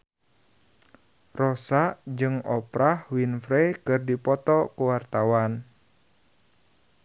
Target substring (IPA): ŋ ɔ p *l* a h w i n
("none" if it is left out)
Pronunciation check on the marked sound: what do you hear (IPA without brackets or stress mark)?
ɾ